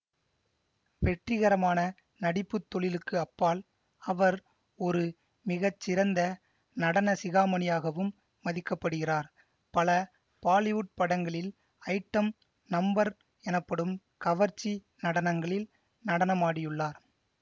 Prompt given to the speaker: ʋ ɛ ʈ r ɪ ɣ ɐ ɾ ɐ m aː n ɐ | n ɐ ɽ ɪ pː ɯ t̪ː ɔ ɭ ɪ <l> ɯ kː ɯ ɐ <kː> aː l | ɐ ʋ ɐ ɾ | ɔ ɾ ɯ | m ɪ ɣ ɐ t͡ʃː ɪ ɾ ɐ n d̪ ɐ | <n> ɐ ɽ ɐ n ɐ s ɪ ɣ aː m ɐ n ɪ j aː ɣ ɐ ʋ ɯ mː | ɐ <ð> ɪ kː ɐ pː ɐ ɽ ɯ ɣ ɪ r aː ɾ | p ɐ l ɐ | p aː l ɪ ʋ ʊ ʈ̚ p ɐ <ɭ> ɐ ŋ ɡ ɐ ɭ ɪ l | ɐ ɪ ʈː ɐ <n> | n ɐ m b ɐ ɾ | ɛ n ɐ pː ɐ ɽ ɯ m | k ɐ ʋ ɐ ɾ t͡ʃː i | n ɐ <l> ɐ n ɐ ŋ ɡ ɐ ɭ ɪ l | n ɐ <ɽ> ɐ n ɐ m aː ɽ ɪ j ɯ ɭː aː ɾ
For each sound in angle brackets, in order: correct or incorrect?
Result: correct, incorrect, correct, correct, incorrect, incorrect, incorrect, correct

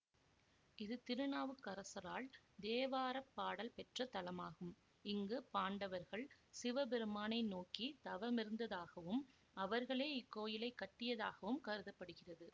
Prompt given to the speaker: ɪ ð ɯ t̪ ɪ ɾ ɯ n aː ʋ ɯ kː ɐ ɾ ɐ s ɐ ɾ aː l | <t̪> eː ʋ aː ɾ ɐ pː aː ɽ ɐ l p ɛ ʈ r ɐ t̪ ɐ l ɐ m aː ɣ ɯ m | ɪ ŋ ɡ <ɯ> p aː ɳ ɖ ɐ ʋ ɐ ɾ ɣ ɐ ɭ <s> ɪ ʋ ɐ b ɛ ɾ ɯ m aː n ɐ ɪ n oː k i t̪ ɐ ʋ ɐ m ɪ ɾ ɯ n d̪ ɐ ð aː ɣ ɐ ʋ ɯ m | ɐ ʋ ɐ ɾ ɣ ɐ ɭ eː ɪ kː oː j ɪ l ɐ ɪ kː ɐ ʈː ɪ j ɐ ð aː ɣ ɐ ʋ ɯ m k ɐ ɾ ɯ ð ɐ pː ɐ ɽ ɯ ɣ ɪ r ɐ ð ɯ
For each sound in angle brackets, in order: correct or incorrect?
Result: incorrect, correct, correct

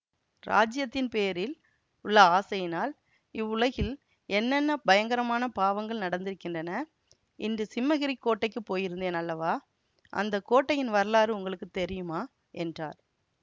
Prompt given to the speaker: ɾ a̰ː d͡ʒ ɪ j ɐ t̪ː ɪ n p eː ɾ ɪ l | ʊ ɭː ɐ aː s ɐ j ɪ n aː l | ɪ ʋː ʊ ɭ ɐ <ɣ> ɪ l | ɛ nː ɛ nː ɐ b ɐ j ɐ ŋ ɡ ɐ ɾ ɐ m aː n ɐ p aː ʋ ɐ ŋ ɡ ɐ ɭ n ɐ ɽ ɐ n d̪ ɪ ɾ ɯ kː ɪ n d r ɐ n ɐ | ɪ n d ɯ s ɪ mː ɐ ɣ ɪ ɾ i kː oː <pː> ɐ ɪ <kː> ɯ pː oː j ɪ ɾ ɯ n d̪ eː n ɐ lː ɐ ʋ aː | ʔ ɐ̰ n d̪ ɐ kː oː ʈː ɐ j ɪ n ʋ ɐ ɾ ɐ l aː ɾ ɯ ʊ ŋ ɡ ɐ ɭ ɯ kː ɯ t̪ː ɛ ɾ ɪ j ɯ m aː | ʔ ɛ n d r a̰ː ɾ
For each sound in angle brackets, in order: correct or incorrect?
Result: correct, incorrect, correct

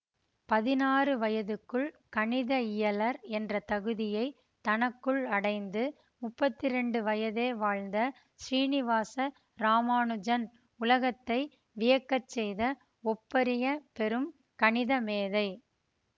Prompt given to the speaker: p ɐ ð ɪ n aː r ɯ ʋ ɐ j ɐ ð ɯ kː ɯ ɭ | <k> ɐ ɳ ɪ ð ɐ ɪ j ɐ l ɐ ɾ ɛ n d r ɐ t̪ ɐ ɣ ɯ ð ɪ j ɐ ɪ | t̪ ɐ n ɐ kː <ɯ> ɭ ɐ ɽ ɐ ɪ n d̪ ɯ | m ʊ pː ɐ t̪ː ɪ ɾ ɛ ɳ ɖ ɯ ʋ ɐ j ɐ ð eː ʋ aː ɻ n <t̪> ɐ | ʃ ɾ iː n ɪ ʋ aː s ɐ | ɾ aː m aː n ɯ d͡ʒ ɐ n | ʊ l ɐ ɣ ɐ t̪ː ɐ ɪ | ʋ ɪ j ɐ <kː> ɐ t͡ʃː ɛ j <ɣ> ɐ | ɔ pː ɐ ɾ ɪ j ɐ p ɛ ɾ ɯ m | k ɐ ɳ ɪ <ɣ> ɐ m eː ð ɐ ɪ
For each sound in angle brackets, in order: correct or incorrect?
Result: correct, correct, incorrect, correct, incorrect, incorrect

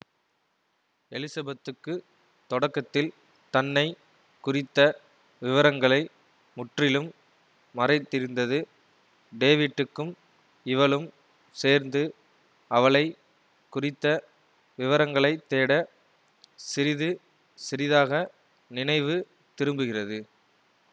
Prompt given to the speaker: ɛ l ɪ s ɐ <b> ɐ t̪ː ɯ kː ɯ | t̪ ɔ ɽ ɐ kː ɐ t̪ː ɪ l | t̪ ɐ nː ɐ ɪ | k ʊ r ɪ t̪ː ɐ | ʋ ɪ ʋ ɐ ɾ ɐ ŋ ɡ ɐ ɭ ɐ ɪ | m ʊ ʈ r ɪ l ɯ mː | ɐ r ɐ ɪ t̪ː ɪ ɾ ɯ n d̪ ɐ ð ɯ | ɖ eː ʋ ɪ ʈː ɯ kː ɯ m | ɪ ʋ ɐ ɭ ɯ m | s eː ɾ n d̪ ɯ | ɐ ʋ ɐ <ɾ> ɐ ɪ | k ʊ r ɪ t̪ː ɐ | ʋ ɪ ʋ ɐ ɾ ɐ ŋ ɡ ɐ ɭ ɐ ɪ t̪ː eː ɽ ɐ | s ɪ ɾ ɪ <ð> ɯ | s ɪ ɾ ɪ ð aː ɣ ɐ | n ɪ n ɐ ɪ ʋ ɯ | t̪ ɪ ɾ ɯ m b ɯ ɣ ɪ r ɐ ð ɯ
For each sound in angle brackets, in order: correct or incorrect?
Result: correct, incorrect, correct

